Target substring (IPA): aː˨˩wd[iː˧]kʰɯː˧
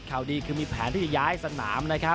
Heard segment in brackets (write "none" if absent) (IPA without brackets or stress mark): iː˧